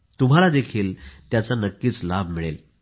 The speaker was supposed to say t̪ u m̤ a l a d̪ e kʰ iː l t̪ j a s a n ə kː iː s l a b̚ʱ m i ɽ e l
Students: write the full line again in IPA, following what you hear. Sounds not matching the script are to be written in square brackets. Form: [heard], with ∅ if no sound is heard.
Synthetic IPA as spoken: t̪ u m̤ a l a d̪ e kʰ iː l t̪ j a [t͡s] a n ə kː iː [t͡s] l a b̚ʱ m i [ɭ] e l